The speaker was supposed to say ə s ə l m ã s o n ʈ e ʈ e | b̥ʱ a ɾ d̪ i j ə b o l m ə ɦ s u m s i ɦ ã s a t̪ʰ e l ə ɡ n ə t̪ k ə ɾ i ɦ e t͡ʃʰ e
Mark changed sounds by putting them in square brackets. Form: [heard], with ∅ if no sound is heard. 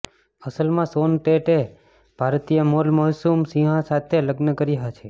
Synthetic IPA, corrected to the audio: ə s ə l m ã s o n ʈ e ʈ e | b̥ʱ a ɾ [t̪] i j ə [m] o l m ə ɦ s u m s i ɦ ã s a t̪ʰ e l ə ɡ n ə [∅] k ə ɾ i ɦ [a] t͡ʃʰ e